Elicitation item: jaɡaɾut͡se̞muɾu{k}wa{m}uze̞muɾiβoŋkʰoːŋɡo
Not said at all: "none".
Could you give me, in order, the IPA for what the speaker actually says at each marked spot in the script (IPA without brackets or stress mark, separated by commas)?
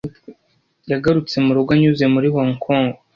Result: ɡ, ɲ